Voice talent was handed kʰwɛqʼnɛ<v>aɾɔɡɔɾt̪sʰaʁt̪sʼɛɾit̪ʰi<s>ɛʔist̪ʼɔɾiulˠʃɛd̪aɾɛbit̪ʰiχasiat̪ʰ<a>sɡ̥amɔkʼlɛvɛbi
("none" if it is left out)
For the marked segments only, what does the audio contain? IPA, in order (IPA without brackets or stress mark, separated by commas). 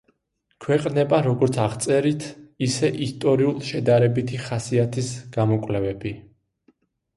b, s, i